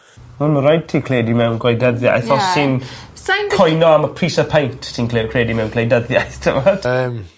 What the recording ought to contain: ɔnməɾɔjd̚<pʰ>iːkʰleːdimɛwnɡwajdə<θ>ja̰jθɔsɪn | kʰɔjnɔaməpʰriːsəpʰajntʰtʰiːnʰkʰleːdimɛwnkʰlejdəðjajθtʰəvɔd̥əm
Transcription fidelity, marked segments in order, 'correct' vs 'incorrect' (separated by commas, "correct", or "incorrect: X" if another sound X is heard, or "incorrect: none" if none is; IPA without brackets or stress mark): incorrect: tʰ, incorrect: ð